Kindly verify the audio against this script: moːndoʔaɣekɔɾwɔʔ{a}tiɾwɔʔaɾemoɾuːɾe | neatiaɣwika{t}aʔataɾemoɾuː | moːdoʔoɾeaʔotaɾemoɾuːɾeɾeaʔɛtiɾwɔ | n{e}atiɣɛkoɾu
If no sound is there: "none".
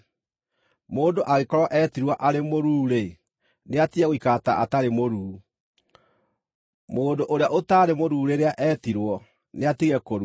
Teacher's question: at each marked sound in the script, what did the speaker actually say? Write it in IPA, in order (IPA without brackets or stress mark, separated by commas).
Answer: ɛ, t, e